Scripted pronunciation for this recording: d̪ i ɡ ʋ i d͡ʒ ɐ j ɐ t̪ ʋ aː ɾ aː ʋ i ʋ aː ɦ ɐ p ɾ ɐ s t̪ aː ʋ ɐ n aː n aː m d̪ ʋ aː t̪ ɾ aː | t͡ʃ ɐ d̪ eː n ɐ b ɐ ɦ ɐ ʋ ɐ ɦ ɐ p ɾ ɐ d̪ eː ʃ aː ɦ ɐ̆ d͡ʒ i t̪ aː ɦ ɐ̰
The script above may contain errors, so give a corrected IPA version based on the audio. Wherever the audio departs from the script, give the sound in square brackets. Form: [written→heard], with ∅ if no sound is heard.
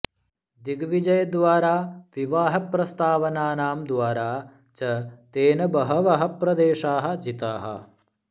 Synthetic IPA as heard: d̪ i ɡ ʋ i d͡ʒ ɐ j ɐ [t̪→d̪] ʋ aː ɾ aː ʋ i ʋ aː ɦ ɐ p ɾ ɐ s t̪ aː ʋ ɐ n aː n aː m d̪ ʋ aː [t̪→∅] ɾ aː | t͡ʃ ɐ [d̪→t̪] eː n ɐ b ɐ ɦ ɐ ʋ ɐ ɦ ɐ p ɾ ɐ d̪ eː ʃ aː ɦ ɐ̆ d͡ʒ i t̪ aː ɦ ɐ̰

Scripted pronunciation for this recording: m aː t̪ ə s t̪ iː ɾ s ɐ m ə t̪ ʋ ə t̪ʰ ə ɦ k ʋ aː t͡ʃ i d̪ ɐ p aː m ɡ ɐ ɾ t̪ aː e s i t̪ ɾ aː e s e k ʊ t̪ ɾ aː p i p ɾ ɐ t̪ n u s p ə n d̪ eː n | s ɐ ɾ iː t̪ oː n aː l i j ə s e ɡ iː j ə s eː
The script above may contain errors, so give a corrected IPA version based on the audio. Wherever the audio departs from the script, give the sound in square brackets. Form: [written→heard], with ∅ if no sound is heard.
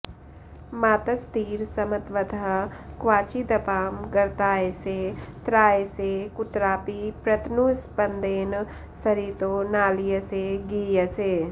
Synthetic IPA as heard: m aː t̪ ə s t̪ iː ɾ s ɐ m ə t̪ ʋ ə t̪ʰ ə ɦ k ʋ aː t͡ʃ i d̪ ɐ p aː m ɡ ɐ ɾ t̪ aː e s [i→e] t̪ ɾ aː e s e k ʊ t̪ ɾ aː p i p ɾ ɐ t̪ n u s p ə n d̪ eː n | s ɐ ɾ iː t̪ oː n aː l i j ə s e ɡ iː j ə s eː

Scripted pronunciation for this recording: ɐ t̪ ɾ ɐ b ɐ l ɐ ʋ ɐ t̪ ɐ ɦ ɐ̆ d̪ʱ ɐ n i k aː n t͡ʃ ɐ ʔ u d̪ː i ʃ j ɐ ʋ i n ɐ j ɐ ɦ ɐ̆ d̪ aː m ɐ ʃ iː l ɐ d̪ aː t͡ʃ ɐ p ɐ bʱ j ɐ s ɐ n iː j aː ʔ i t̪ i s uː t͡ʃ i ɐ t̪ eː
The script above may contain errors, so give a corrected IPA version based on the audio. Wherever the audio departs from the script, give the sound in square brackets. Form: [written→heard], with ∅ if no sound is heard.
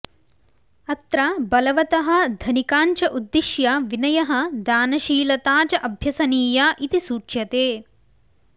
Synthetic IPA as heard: ɐ t̪ ɾ ɐ b ɐ l ɐ ʋ ɐ t̪ ɐ ɦ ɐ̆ d̪ʱ ɐ n i k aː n t͡ʃ ɐ ʔ u d̪ː i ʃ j ɐ ʋ i n ɐ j ɐ ɦ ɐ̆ d̪ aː [m→n] ɐ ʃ iː l ɐ [d̪→t̪] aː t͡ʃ ɐ [p→ʔ] ɐ bʱ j ɐ s ɐ n iː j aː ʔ i t̪ i s uː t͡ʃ [i→j] ɐ t̪ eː

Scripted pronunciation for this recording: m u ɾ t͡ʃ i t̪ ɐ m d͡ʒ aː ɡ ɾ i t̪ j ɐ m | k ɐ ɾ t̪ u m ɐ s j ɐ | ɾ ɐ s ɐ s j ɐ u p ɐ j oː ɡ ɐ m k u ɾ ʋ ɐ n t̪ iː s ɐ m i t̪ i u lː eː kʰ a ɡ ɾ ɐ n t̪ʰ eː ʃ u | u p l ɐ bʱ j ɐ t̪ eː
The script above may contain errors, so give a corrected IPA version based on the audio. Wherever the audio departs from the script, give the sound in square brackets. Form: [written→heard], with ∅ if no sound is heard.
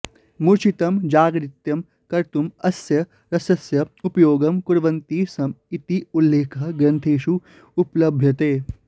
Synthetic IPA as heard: m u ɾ t͡ʃ i t̪ ɐ m d͡ʒ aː ɡ ɾ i t̪ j ɐ m | k ɐ ɾ t̪ u m ɐ s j ɐ | ɾ ɐ s ɐ s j ɐ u p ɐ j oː ɡ ɐ m k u ɾ ʋ ɐ n t̪ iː s ɐ m i t̪ i u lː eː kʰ [a→ɐ] ɡ ɾ ɐ n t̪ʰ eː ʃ u | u p l ɐ bʱ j ɐ t̪ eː

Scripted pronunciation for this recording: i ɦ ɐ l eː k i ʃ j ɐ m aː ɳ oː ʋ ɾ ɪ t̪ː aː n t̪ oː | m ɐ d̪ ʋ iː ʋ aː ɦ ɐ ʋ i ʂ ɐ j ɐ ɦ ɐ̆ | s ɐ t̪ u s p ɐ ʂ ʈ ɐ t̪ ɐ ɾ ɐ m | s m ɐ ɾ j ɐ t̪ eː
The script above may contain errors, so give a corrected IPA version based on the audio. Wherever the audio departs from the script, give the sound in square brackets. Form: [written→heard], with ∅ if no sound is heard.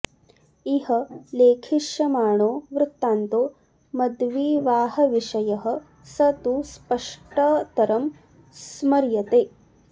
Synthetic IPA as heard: i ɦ ɐ l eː [k→kʰ] i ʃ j ɐ m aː ɳ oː ʋ ɾ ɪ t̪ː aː n t̪ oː | m ɐ d̪ ʋ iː ʋ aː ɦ ɐ ʋ i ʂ ɐ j ɐ ɦ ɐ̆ | s ɐ t̪ u s p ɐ ʂ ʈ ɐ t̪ ɐ ɾ ɐ m | s m ɐ ɾ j ɐ t̪ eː

